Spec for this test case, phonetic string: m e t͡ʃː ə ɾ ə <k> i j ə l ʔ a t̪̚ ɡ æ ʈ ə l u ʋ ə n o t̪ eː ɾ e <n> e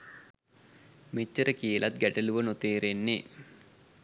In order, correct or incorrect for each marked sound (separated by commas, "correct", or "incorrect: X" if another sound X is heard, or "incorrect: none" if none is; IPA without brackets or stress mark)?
correct, incorrect: nː